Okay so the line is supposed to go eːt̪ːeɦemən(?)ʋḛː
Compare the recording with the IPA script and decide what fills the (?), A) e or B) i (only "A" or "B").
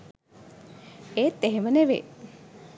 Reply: A